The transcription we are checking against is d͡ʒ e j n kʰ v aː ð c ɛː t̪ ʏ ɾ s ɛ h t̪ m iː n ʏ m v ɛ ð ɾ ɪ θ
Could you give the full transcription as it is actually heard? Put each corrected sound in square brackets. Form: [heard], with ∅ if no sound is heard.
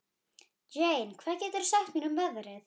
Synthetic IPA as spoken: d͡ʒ e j n kʰ v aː ð c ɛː t̪ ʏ ɾ s [a] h t̪ m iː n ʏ m v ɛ ð ɾ ɪ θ

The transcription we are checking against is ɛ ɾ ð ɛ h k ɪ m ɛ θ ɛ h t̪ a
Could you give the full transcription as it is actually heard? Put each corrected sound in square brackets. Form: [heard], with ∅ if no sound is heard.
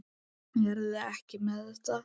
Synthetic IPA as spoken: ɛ ɾ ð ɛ h [c] ɪ m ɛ [ð] ɛ h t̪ a

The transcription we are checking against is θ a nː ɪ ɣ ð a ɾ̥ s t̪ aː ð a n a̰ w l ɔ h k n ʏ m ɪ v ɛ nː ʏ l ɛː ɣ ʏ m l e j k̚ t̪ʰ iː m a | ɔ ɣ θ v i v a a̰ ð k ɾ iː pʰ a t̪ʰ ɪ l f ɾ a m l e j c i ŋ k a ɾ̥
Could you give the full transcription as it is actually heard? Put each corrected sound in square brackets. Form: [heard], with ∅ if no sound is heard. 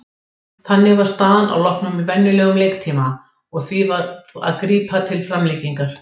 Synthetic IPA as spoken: θ a nː ɪ ɣ [v] a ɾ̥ s t̪ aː ð a n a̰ w l ɔ h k n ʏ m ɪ v ɛ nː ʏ l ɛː ɣ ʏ m l e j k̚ t̪ʰ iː m a | ɔ ɣ θ v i v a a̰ ð k ɾ iː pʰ a t̪ʰ ɪ l f ɾ a m l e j c i ŋ k a ɾ̥

